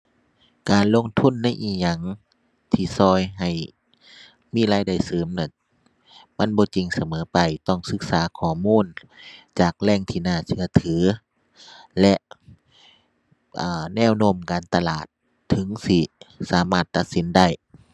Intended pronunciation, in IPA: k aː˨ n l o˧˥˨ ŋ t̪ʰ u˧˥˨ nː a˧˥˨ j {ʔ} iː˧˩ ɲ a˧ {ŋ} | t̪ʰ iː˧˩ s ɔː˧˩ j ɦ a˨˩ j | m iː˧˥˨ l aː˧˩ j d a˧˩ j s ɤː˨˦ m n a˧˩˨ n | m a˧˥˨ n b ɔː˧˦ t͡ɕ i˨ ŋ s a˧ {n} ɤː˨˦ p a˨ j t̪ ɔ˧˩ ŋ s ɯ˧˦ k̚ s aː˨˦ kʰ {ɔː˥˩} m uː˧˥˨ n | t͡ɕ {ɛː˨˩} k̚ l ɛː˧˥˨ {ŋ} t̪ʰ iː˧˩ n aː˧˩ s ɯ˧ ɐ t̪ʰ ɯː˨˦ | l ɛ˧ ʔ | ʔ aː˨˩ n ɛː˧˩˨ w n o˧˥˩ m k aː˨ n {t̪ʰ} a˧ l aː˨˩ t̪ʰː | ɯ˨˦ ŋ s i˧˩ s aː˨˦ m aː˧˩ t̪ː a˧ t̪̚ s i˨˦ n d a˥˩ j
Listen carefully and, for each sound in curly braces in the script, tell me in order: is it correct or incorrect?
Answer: correct, correct, incorrect: m, incorrect: ɔː˧˩, incorrect: aː˨˩, correct, incorrect: t̪

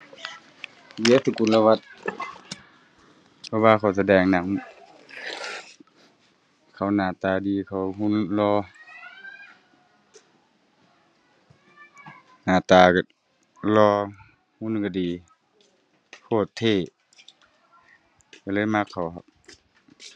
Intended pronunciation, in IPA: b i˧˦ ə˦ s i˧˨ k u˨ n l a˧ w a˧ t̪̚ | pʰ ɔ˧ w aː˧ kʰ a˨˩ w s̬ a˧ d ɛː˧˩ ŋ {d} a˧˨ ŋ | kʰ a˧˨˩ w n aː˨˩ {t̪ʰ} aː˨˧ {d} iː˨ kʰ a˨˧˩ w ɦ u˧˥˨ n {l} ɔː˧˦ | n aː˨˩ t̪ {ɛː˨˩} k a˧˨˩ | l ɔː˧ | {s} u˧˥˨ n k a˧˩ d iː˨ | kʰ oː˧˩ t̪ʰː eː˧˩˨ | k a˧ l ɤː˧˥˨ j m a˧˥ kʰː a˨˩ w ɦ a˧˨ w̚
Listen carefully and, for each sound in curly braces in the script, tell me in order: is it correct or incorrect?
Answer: incorrect: n, incorrect: t̪, correct, correct, incorrect: aː˨˩, incorrect: h

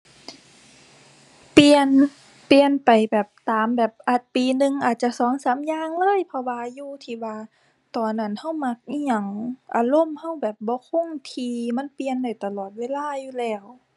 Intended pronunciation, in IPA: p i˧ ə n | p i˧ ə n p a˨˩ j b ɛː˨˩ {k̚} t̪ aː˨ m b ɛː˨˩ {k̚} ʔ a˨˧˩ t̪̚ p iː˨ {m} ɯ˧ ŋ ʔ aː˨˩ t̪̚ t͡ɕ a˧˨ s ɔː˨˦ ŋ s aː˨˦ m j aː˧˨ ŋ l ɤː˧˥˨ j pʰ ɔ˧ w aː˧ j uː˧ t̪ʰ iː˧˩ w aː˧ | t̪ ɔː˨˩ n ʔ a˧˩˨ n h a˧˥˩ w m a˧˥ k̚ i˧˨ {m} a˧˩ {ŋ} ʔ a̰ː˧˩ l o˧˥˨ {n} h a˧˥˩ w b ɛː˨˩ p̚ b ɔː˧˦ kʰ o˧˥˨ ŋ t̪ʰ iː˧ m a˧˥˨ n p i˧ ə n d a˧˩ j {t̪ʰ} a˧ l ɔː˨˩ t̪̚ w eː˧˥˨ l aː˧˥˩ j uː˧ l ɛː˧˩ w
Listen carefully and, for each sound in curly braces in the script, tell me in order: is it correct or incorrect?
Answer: incorrect: p̚, incorrect: p̚, incorrect: n, incorrect: ɲ, correct, incorrect: m, incorrect: t̪

